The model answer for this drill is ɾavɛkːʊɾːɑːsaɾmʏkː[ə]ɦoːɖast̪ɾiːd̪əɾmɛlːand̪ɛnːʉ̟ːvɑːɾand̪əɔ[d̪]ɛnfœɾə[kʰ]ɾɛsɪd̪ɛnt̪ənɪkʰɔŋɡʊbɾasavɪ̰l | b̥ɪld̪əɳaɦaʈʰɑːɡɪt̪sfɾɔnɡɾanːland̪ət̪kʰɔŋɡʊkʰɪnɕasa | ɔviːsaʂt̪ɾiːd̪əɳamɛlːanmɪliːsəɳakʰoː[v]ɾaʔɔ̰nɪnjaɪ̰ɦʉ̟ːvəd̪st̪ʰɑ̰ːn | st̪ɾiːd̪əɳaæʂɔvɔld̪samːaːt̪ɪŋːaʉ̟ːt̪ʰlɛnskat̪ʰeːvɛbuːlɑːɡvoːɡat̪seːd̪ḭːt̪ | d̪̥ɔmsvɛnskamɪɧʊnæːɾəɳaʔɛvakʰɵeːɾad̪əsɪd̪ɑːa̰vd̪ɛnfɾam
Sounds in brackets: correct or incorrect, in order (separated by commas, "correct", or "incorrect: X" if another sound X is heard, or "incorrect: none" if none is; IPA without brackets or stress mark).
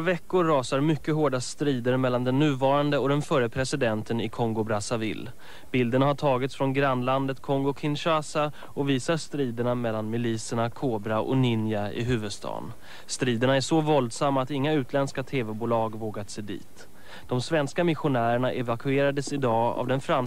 correct, correct, incorrect: pʰ, incorrect: b